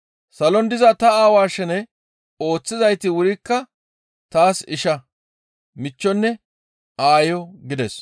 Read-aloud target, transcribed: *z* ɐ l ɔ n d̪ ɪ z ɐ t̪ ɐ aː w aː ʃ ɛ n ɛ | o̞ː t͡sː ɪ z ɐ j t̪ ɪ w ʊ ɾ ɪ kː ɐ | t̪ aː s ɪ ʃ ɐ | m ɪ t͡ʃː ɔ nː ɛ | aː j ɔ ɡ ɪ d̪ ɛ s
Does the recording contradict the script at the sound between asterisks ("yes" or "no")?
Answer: yes